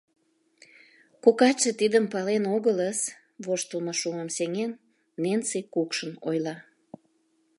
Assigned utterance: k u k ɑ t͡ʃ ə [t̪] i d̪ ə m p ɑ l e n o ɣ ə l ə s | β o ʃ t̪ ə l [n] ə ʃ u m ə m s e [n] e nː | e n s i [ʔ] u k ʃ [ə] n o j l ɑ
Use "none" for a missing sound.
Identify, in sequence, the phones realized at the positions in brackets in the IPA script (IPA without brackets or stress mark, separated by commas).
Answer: t̪, m, ŋ, k, ə